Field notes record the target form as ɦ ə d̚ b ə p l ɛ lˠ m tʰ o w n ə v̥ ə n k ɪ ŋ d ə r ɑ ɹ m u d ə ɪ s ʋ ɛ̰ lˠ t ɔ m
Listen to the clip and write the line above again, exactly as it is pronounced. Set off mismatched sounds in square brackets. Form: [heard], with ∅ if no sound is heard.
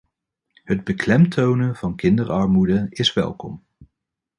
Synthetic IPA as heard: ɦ ə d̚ b ə [k] l ɛ [∅] m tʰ o w n ə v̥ [ɑ] n k ɪ [n] d ə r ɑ ɹ m u d ə ɪ s ʋ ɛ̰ lˠ [k] ɔ m